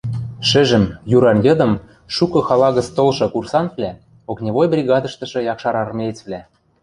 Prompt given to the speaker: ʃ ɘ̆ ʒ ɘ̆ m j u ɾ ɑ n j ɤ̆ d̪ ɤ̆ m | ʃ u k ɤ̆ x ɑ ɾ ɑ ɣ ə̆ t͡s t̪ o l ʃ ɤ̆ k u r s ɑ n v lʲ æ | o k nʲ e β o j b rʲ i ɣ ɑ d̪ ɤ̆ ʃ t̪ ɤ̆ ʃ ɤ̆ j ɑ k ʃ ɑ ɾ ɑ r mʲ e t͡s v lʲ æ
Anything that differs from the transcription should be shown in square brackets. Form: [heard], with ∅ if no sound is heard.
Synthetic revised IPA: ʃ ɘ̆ ʒ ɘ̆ m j u ɾ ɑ n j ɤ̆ d̪ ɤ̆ m | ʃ u k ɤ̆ x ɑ [l] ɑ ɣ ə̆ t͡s t̪ o l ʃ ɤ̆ k u r s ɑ n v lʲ æ | o k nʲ e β o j b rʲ i ɣ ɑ d̪ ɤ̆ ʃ t̪ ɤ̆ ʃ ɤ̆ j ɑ k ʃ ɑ ɾ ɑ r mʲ e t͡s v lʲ æ